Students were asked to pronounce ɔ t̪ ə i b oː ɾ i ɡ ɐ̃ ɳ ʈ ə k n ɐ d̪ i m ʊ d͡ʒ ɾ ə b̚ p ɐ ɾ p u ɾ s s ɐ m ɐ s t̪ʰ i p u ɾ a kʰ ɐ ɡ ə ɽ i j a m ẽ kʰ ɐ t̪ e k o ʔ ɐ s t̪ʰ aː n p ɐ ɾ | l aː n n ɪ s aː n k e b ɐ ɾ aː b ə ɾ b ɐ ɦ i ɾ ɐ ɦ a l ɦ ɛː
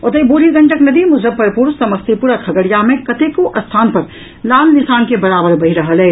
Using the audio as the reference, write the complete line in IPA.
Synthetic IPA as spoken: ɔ t̪ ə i b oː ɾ i ɡ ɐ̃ ɳ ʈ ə k n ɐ d̪ i m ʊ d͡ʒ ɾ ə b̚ p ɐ ɾ p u ɾ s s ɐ m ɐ s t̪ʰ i p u ɾ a kʰ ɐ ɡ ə ɽ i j a m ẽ k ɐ t̪ e k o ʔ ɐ s t̪ʰ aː n p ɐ ɾ | l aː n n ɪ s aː n k e b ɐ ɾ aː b ə ɾ b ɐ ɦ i ɾ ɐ ɦ ə l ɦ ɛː